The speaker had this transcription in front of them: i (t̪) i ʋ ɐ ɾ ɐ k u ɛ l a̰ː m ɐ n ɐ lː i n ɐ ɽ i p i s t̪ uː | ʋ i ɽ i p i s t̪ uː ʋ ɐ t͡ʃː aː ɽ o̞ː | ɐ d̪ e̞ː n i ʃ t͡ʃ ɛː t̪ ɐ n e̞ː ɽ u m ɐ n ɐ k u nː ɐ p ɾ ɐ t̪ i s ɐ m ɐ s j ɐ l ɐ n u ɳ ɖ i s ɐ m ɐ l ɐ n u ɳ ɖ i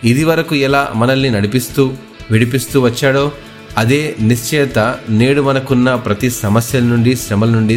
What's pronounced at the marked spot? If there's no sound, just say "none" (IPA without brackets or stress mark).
d̪